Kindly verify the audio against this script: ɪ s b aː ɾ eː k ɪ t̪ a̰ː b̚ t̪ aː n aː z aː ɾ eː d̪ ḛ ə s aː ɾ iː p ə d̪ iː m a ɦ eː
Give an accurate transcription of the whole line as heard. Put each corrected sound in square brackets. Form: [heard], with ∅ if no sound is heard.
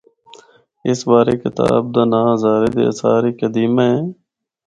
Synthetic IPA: ɪ s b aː ɾ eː k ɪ t̪ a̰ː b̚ [d̪] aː n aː z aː ɾ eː d̪ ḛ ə s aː ɾ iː [k] ə d̪ iː m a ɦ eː